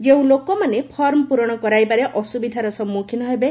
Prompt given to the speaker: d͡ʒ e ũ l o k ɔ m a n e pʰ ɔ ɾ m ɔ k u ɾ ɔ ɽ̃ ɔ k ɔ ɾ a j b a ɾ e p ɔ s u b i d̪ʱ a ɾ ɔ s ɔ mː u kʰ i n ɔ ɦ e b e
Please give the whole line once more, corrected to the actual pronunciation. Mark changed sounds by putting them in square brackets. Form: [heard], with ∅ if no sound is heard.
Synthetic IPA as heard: d͡ʒ e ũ l o k ɔ m a n e pʰ ɔ ɾ m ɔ [p] u ɾ ɔ ɽ̃ ɔ k ɔ ɾ a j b a ɾ e [ʔ] ɔ s u b i d̪ʱ a ɾ ɔ s ɔ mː u kʰ i n ɔ ɦ e b e